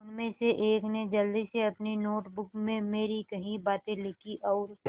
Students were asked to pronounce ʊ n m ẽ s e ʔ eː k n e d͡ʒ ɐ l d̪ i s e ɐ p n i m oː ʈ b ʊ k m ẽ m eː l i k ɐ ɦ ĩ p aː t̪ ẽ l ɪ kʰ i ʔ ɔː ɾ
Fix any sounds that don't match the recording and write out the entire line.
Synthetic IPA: ʊ n m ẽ s e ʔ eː k n e d͡ʒ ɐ l d̪ i s e ɐ p n i n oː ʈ b ʊ k m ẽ m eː ɾ i k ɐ ɦ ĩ b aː t̪ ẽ l ɪ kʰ i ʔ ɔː ɾ